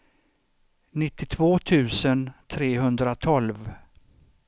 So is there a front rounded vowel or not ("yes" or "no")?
no